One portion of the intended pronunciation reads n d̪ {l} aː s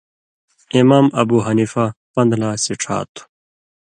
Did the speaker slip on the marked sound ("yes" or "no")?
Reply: no